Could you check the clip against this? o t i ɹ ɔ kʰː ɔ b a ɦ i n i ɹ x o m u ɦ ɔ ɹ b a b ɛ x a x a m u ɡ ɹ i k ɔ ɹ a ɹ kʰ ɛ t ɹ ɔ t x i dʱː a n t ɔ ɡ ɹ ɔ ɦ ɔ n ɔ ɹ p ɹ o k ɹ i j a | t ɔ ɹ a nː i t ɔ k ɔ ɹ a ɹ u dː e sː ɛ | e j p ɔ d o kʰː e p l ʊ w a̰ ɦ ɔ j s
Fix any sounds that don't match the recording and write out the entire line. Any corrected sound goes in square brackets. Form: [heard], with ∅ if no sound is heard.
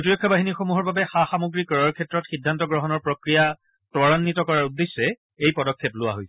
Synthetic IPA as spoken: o t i ɹ ɔ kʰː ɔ b a ɦ i n i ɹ x o m u ɦ ɔ ɹ b a b ɛ x a x a m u ɡ ɹ i k ɔ ɹ a ɹ kʰ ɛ t ɹ ɔ t x i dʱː a n t ɔ ɡ ɹ ɔ ɦ ɔ n ɔ ɹ p ɹ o k ɹ i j a | t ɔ ɹ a nː i t ɔ k ɔ ɹ a ɹ u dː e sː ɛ | e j p ɔ d [ɔ] kʰː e p l ʊ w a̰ ɦ [o] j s

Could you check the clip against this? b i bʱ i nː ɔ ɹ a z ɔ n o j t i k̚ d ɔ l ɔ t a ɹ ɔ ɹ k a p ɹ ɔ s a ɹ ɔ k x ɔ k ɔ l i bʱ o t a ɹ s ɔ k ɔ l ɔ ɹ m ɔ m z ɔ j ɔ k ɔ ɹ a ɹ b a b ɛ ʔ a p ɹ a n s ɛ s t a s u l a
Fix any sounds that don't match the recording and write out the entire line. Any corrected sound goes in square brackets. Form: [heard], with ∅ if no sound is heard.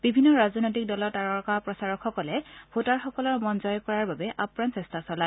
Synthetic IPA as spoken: b i bʱ i nː ɔ ɹ a z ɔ n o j t i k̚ d ɔ l ɔ t a ɹ ɔ ɹ k a p ɹ ɔ s a ɹ ɔ k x ɔ k ɔ l [ɛ] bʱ o t a ɹ [x] ɔ k ɔ l ɔ ɹ m ɔ [n] z ɔ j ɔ k ɔ ɹ a ɹ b a b ɛ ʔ a p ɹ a n s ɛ s t a s [ɔ] l a

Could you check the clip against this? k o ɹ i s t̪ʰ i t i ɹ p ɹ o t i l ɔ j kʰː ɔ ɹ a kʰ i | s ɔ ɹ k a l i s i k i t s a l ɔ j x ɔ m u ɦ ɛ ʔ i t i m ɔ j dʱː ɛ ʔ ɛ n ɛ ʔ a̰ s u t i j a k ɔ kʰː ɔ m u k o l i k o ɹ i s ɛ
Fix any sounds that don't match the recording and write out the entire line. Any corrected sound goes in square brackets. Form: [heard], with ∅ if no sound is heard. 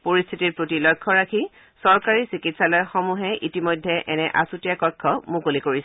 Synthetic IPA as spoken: [p] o ɹ i s t̪ʰ i t i ɹ p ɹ o t i l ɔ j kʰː ɔ ɹ a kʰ i | s ɔ ɹ k a [ɹ] i s i k i t s a l ɔ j x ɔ m u ɦ ɛ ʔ i t i m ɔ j dʱː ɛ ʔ ɛ n ɛ ʔ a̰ s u t i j a k ɔ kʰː ɔ m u k o l i k o ɹ i s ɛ

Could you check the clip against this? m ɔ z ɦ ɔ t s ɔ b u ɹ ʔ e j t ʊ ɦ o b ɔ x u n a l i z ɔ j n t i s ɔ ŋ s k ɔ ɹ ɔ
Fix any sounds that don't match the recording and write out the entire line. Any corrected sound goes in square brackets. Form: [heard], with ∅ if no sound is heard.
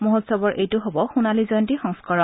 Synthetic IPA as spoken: m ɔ [∅] ɦ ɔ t s ɔ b [ɔ] ɹ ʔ e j t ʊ ɦ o b ɔ x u n a l i z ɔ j n t i [x] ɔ ŋ s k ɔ ɹ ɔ

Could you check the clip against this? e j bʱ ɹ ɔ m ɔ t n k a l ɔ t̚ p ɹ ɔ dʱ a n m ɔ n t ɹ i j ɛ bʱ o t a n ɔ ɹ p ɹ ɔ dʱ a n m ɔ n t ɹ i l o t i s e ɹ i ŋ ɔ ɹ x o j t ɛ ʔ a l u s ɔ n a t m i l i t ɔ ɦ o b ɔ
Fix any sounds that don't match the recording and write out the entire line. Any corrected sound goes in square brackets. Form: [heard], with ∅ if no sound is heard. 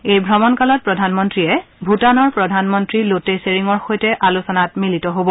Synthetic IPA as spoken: e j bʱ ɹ ɔ m ɔ [∅] n k a l ɔ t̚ p ɹ ɔ dʱ a n m ɔ n t ɹ i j ɛ bʱ [u] t a n ɔ ɹ p ɹ ɔ dʱ a n m ɔ n t ɹ i l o t [e] s e ɹ i ŋ ɔ ɹ x o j t ɛ ʔ a l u s ɔ n a t m i l i t ɔ ɦ o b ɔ

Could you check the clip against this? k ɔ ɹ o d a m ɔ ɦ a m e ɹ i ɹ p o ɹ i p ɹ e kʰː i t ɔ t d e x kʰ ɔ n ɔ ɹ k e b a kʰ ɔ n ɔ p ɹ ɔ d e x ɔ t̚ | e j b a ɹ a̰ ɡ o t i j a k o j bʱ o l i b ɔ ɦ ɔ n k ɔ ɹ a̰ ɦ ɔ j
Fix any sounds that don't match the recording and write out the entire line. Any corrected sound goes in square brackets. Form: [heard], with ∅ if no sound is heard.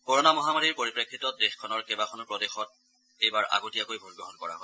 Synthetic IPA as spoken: k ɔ ɹ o [n] a m ɔ ɦ a m [a] ɹ i ɹ p o ɹ i p ɹ e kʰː i t ɔ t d e x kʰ ɔ n ɔ ɹ k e b a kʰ ɔ n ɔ p ɹ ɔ d e x ɔ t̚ | e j b a ɹ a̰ ɡ o t i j a k o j bʱ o [ɹ] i b ɔ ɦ ɔ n k ɔ ɹ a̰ ɦ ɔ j

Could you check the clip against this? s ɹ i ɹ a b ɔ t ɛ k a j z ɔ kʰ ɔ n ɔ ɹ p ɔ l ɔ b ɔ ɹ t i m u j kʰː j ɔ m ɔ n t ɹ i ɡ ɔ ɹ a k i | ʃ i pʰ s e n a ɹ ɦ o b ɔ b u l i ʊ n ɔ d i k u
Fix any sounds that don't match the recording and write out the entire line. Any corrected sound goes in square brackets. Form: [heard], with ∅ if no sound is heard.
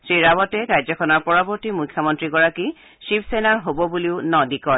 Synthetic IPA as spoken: s ɹ i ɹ a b ɔ t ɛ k a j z ɔ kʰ ɔ n ɔ ɹ p ɔ [ɹ] ɔ b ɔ ɹ t i m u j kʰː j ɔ m ɔ n t ɹ i ɡ ɔ ɹ a k i | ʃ i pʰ s e n a ɹ ɦ o b ɔ b u l i ʊ n ɔ d i k [ɔ]

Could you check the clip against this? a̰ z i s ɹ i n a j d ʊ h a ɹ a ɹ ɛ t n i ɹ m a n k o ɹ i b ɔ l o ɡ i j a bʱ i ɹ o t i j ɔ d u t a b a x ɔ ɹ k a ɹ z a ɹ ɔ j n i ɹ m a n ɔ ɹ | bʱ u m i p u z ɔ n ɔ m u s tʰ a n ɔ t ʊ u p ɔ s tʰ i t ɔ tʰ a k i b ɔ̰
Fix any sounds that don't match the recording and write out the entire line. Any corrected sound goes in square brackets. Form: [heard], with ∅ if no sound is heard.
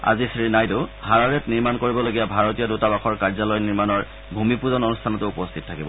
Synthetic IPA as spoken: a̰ z i s ɹ i n a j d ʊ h a ɹ a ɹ ɛ t n i ɹ m a n k o ɹ i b ɔ l o ɡ i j a bʱ [a] ɹ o t i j ɔ d u t a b a x ɔ ɹ k a ɹ z a [l] ɔ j n i ɹ m a n ɔ ɹ | bʱ u m i p u z ɔ n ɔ [n] u s tʰ a n ɔ t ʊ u p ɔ s tʰ i t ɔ tʰ a k i b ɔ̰

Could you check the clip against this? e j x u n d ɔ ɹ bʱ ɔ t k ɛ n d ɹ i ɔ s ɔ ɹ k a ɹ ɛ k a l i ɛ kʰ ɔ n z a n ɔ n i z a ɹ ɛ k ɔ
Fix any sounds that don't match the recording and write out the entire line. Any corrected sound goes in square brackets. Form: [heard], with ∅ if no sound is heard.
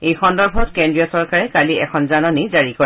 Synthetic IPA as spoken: e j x [ɔ] n d ɔ ɹ bʱ ɔ t k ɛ n d ɹ i ɔ s ɔ ɹ k a ɹ ɛ k a l i ɛ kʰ ɔ n z a n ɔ n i z a ɹ [i] k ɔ

